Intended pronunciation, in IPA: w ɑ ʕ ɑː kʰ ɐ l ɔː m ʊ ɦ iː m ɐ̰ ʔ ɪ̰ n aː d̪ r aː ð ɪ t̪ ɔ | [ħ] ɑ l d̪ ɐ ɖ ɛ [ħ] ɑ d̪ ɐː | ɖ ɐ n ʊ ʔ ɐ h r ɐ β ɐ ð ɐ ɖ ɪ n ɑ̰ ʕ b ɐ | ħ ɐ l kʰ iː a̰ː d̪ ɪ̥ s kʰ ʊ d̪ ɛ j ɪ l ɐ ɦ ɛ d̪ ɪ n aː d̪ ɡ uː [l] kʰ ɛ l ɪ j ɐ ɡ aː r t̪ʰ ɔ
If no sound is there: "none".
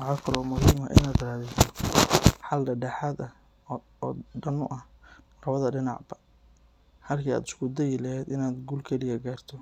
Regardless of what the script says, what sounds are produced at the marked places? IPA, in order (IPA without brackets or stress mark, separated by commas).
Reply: ħ, ħ, l